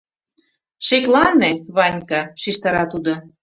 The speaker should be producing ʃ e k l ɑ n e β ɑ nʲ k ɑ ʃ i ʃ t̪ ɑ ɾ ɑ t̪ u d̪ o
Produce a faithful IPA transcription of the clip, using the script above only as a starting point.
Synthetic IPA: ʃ e k l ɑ n e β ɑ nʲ k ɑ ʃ i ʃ t̪ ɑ ɾ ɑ t̪ u d̪ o